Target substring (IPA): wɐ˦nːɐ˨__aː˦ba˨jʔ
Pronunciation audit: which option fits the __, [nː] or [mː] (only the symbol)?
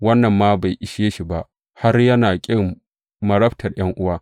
mː